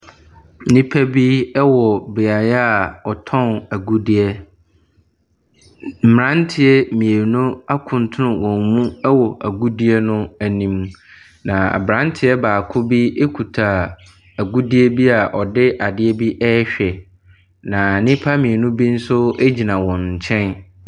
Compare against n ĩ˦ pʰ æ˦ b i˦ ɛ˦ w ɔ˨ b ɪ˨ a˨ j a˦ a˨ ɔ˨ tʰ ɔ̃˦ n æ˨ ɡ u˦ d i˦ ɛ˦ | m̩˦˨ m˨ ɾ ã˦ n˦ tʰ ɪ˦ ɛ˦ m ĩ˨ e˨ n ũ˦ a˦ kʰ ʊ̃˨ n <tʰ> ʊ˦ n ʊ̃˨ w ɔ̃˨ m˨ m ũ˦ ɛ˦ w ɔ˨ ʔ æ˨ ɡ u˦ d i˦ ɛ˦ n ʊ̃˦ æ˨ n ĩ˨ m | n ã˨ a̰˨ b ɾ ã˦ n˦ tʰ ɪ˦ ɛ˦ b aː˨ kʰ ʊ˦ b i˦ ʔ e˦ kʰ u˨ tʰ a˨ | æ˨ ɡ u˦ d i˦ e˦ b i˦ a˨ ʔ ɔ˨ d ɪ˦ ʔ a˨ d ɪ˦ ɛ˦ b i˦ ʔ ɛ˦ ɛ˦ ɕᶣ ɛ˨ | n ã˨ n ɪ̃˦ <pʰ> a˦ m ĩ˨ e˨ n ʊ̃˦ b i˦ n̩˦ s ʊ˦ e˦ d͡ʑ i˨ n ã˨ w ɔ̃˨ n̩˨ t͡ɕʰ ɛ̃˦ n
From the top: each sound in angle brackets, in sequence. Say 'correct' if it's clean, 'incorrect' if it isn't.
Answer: correct, correct

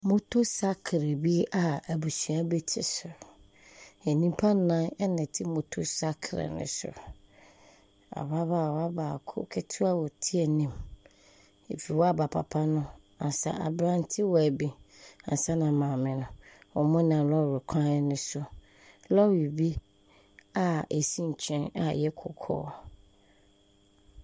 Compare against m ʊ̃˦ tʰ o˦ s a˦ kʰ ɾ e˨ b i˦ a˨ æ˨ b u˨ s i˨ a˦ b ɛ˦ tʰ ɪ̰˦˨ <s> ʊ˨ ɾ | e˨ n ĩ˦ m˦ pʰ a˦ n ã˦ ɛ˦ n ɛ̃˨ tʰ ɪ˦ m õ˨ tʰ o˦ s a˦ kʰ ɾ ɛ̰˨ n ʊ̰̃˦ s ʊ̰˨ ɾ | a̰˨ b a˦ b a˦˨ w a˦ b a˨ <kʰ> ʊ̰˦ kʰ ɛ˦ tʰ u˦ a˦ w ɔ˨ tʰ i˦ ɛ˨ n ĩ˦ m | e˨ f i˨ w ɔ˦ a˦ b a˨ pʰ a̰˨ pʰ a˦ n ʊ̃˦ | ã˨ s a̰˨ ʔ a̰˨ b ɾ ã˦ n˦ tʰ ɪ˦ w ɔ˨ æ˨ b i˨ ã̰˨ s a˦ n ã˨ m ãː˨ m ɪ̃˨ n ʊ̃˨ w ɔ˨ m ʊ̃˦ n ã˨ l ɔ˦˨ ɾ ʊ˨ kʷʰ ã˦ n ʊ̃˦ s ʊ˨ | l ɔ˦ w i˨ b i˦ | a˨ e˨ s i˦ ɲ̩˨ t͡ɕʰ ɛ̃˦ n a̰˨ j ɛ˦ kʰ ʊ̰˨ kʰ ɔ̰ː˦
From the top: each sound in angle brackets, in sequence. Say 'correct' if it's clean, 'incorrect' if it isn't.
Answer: correct, correct

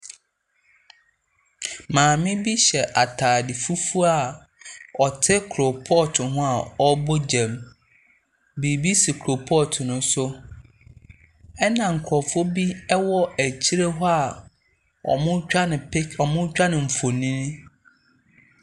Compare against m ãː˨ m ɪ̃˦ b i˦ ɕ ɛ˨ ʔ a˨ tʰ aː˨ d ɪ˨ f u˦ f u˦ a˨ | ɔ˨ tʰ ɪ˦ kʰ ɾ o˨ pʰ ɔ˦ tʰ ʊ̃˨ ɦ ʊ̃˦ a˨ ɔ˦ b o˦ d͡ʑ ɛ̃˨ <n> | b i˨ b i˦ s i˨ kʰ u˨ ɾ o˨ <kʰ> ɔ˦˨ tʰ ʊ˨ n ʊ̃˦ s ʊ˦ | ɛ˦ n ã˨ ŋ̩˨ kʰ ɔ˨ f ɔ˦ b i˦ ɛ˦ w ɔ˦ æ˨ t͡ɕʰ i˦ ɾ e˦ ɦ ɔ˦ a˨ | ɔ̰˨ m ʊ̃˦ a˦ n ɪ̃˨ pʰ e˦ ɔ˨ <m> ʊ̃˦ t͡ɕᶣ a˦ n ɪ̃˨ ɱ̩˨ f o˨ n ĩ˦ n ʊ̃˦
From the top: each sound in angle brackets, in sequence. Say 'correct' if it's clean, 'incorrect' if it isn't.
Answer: incorrect: m, incorrect: pʰ, correct

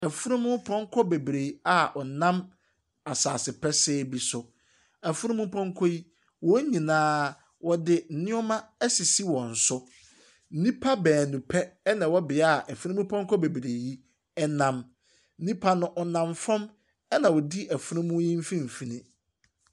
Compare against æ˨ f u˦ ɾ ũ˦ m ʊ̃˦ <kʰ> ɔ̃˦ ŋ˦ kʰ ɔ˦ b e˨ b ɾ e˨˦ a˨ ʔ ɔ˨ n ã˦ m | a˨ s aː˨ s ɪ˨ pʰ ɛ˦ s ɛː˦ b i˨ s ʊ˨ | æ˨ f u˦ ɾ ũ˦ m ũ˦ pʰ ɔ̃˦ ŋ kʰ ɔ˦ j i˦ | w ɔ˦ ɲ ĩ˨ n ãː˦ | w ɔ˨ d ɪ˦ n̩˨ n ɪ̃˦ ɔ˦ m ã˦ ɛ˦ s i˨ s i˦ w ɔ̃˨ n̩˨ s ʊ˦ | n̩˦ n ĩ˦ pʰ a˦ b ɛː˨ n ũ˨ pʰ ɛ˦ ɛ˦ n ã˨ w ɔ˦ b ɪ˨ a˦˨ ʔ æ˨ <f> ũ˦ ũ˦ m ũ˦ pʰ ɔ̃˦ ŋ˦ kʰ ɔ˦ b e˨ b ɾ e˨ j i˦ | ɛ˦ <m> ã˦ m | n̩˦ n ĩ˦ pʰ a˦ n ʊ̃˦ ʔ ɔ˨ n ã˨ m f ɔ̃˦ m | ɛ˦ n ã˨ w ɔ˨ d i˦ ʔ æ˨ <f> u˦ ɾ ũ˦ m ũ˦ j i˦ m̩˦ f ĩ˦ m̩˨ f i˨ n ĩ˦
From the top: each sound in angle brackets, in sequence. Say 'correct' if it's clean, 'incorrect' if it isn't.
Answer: incorrect: pʰ, correct, incorrect: n, correct

